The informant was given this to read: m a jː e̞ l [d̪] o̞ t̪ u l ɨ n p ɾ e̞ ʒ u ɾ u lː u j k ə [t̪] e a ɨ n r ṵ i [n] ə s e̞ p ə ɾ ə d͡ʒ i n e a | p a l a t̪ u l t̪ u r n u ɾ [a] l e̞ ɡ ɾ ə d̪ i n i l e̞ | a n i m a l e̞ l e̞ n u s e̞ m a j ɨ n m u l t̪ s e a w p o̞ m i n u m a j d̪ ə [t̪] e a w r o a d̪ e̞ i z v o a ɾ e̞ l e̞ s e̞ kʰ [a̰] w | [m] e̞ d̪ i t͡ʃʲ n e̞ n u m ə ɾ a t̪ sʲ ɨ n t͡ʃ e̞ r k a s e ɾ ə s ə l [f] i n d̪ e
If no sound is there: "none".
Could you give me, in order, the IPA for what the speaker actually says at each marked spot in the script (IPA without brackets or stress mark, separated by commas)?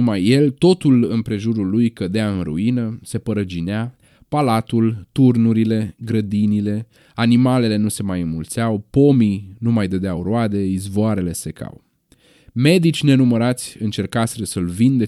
t̪, d̪, n, i, d̪, a̰, m, v